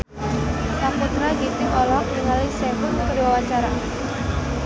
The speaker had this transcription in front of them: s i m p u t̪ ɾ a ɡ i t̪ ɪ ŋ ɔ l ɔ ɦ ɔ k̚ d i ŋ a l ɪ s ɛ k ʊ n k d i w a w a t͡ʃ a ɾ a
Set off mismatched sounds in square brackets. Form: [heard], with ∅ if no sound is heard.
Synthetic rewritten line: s [a] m p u t̪ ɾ a ɡ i t̪ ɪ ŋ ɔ l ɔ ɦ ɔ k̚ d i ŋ a l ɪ s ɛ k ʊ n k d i w a w a t͡ʃ a ɾ a